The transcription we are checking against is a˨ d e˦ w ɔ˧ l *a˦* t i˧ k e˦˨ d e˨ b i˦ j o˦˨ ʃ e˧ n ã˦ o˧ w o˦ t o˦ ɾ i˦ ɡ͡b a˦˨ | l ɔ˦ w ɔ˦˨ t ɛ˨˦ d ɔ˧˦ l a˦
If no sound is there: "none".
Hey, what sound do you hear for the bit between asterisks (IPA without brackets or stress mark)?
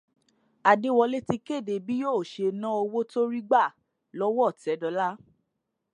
e˦